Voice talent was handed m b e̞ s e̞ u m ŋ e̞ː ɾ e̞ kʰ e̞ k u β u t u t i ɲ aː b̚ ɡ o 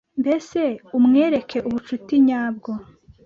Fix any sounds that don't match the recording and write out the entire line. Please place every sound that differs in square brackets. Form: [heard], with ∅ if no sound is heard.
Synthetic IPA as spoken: m b e̞ s e̞ u m ŋ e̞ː ɾ e̞ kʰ e̞ [ʔ] u β u [t͡ʃ] u t i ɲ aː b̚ ɡ o

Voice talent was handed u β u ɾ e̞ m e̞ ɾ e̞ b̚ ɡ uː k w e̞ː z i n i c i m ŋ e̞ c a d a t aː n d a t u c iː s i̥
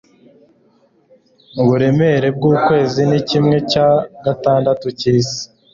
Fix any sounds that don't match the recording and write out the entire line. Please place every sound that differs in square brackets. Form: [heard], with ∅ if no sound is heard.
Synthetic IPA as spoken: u β u ɾ e̞ m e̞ ɾ e̞ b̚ ɡ uː k w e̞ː z i n i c i m ŋ e̞ c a [ɡ] a t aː n d a t u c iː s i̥

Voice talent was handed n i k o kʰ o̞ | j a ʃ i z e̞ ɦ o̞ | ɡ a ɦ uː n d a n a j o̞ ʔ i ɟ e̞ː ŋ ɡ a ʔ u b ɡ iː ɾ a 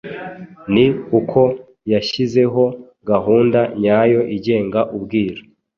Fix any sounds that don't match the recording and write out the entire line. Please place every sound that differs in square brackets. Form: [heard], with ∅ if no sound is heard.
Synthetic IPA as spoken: n i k [u] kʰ o̞ | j a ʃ i z e̞ ɦ o̞ | ɡ a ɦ uː n d a [ɲ] a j o̞ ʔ i ɟ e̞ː ŋ ɡ a ʔ u b ɡ iː ɾ a

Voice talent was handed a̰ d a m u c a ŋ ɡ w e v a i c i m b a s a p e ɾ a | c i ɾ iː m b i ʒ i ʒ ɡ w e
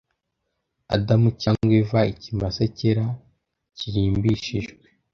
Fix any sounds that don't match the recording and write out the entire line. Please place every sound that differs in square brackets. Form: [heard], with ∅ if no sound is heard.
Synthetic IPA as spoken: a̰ d a m u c a ŋ ɡ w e v a i c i m b a s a [c] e ɾ a | c i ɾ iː m b i [ʃ] i ʒ ɡ w e

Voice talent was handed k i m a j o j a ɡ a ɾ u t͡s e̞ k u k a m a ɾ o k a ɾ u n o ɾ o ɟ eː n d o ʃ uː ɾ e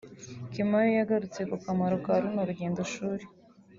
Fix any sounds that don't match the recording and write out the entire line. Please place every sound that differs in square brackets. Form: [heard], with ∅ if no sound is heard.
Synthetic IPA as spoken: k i m a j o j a ɡ a ɾ u t͡s e̞ k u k a m a ɾ o k a ɾ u n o ɾ [u] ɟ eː n d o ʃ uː ɾ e

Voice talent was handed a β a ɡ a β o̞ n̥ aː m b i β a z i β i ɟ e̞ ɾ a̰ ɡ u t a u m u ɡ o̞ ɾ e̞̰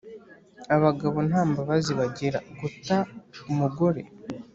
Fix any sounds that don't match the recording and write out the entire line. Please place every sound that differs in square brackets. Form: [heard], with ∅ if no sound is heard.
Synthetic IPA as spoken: a β a ɡ a β o̞ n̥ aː m b [a] β a z i β [a] ɟ e̞ ɾ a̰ ɡ u t a u m u ɡ o̞ ɾ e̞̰

